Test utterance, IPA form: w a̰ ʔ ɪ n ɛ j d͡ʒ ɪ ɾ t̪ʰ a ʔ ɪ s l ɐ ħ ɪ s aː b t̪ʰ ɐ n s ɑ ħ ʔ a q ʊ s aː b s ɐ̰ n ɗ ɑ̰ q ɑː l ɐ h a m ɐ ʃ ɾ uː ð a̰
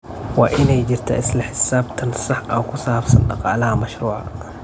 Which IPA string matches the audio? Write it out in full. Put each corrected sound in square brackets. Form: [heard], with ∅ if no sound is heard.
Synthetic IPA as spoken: w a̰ ʔ ɪ n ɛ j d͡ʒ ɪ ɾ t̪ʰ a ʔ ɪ s l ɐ ħ ɪ s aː b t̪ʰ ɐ n s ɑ ħ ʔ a [k] ʊ s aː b s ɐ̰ n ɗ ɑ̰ q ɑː l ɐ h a m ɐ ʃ ɾ uː [ʕ] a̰